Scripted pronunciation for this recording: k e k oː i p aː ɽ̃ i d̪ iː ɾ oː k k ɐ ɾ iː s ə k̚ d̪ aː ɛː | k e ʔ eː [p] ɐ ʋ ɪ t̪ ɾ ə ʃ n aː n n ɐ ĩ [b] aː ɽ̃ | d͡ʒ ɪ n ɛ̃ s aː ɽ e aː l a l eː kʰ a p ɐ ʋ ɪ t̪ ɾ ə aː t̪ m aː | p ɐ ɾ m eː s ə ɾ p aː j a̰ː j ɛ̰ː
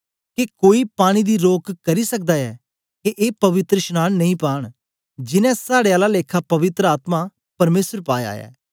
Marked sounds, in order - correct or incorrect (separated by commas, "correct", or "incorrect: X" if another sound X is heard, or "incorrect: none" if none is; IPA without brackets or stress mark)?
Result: correct, incorrect: p